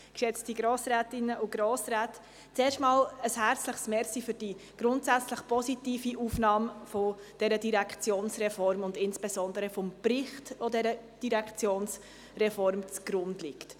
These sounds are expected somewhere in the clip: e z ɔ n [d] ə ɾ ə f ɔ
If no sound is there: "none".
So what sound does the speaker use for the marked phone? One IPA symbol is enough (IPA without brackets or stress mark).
d